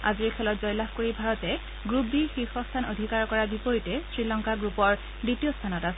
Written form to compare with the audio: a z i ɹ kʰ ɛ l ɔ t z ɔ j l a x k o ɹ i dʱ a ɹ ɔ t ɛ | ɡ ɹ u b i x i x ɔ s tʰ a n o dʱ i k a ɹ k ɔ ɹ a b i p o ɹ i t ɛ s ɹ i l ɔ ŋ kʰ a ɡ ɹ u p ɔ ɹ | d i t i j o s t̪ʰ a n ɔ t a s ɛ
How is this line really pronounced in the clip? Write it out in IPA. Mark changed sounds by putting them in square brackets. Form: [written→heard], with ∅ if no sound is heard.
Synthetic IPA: a z i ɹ kʰ ɛ l ɔ t z ɔ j l a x k o ɹ i [dʱ→bʱ] a ɹ ɔ t ɛ | ɡ ɹ u b i x i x ɔ s tʰ a n o dʱ i k a ɹ k ɔ ɹ a b i p o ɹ i t ɛ s ɹ i l ɔ ŋ [kʰ→k] a ɡ ɹ u p ɔ ɹ | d i t i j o s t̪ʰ a n ɔ t a s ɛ